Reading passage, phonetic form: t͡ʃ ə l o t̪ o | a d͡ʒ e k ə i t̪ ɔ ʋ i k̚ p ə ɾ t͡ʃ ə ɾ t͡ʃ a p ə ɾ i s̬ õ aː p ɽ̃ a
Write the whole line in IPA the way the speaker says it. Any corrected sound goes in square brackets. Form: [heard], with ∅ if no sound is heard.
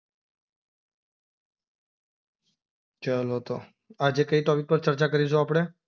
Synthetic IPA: t͡ʃ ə l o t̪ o | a d͡ʒ e k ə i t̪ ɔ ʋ i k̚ p ə ɾ t͡ʃ ə ɾ t͡ʃ a [k] ə ɾ i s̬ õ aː p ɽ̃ [e]